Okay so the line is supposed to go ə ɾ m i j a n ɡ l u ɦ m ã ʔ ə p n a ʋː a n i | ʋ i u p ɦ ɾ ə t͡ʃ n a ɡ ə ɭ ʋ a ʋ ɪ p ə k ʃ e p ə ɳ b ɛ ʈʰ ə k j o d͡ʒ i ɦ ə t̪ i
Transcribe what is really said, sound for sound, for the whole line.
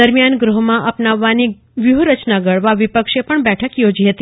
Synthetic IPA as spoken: ə ɾ m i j a n ɡ ɾ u ɦ m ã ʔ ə p n a ʋː a n i | ʋ j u ɦ ɾ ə t͡ʃ n a ɡ ə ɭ ʋ a ʋ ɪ p ə k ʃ e p ə ɳ b ɛ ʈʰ ə k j o d͡ʒ i ɦ ə t̪ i